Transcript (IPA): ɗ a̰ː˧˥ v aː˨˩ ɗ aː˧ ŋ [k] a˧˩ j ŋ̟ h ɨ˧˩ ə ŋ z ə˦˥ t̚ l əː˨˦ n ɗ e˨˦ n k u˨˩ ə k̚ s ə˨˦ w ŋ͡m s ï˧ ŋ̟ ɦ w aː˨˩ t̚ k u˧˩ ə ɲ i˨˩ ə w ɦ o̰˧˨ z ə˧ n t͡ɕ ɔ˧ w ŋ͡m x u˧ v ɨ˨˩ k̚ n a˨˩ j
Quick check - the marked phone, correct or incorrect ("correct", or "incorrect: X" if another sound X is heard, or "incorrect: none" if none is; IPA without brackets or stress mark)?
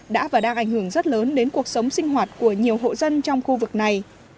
incorrect: ʔ